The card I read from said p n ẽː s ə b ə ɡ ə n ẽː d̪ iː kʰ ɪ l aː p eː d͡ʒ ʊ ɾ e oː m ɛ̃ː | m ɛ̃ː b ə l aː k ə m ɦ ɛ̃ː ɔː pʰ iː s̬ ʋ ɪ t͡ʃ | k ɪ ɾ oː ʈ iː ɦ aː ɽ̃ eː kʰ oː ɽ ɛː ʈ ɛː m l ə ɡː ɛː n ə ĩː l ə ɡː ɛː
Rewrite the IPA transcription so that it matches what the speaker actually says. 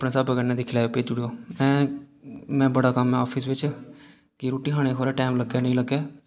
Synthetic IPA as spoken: p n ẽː s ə b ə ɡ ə n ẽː d̪ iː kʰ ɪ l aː p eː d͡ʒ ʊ ɽ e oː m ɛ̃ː | m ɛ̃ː b ə ɽ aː k ə m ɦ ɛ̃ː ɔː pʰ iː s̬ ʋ ɪ t͡ʃ | k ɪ ɾ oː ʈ iː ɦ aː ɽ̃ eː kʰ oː ɾ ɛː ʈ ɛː m l ə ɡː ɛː n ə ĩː l ə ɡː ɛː